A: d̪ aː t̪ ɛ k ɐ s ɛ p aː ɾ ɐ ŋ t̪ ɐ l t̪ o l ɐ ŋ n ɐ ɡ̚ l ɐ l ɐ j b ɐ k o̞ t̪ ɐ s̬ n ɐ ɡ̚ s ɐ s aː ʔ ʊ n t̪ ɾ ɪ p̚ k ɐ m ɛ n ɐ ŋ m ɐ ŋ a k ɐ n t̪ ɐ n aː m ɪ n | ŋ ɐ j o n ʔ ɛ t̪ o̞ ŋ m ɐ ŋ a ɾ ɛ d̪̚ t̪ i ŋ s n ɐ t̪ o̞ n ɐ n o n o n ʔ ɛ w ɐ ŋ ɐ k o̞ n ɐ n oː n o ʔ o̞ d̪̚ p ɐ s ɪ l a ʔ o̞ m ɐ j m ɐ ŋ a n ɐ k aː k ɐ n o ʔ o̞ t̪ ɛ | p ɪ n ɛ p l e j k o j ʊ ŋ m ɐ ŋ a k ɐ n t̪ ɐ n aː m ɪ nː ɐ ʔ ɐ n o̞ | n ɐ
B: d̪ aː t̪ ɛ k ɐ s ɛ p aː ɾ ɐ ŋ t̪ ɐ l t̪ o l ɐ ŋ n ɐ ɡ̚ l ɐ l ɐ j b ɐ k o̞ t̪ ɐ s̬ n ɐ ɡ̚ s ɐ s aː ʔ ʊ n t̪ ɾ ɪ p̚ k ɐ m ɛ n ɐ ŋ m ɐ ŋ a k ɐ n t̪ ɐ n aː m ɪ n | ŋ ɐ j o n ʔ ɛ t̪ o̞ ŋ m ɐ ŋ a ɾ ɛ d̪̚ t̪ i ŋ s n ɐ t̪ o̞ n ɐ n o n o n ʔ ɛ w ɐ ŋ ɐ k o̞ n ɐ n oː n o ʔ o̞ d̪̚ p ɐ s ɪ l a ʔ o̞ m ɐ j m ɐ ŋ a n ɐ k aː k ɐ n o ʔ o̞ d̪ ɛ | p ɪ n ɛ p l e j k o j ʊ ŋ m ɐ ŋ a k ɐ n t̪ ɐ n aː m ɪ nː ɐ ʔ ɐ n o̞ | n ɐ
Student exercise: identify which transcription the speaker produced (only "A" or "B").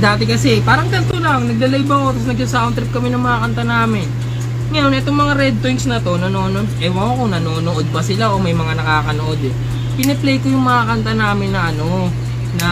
B